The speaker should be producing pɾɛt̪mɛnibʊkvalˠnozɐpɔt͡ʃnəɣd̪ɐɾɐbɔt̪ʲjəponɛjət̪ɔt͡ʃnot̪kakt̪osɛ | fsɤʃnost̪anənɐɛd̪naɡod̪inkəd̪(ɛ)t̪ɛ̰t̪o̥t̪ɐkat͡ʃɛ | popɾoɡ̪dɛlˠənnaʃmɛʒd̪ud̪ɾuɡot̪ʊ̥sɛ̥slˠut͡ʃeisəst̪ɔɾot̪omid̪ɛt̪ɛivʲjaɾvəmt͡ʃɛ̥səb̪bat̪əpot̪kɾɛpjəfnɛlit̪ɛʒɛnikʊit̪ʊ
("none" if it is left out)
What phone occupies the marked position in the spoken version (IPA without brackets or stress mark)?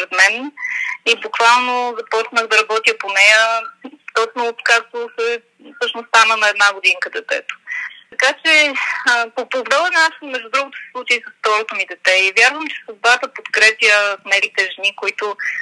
ɛ